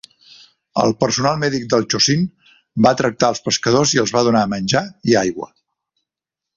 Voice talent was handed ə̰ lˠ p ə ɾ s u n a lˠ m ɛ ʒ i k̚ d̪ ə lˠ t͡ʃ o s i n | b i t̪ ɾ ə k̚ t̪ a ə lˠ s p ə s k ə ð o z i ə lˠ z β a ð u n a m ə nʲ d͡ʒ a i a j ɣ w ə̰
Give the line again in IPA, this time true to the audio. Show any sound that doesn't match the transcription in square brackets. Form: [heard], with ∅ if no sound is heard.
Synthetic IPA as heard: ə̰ lˠ p ə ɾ s u n a lˠ m ɛ [ð] i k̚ d̪ ə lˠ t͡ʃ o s i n | b [a] t̪ ɾ ə k̚ t̪ a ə lˠ s p ə s k ə ð o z i ə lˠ z β a ð u n a m ə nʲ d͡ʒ a i a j ɣ w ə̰